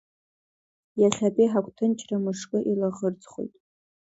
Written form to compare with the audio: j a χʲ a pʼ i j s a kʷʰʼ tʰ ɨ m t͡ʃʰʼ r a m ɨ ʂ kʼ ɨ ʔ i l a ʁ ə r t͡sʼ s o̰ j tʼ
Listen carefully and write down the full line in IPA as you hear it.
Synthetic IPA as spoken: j a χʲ a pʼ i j ħ a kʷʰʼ tʰ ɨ n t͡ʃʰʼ r a m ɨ ʂ kʼ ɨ ʔ i l a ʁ ə r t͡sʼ χ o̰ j tʼ